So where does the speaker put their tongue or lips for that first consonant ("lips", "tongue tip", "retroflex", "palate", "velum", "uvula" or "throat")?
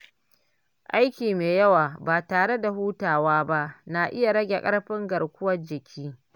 throat